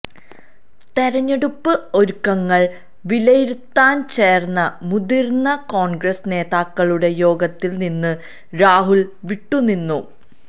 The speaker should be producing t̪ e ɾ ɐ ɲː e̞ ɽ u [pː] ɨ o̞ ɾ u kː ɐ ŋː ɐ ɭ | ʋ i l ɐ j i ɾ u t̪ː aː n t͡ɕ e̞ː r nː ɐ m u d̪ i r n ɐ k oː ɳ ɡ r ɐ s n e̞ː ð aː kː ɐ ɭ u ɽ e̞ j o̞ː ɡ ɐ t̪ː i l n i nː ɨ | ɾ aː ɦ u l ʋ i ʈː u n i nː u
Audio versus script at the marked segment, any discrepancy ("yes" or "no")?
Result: no